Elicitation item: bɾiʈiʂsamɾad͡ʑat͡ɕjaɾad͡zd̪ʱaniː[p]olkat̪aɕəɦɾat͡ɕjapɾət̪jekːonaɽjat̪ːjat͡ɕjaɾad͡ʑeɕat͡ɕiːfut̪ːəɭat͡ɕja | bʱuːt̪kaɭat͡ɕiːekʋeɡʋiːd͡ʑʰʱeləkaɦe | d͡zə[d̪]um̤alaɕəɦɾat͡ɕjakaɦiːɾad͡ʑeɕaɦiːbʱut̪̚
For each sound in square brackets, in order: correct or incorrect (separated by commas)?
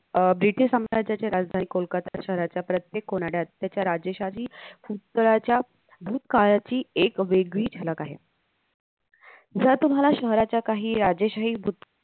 incorrect, incorrect